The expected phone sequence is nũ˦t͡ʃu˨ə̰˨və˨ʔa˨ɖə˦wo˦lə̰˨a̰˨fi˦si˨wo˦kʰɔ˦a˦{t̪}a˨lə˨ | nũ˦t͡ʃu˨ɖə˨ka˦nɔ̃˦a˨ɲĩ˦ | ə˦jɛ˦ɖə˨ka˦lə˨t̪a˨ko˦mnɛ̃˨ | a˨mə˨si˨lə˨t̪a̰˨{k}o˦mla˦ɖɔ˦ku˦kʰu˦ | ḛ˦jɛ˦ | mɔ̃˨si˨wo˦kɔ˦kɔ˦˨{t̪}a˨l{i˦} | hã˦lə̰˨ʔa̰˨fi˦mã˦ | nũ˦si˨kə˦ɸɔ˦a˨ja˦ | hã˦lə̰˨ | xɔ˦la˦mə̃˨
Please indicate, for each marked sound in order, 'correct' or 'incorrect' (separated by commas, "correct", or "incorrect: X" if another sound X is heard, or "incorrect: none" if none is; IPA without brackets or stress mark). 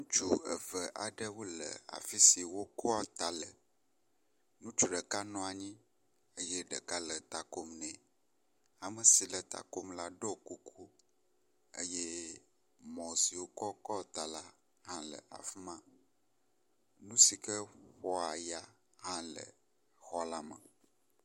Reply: correct, correct, correct, incorrect: a˦